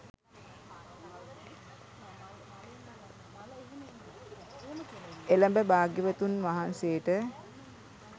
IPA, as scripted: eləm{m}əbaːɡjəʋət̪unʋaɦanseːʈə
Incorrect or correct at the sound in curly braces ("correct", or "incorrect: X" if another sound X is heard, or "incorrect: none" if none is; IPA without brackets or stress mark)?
incorrect: b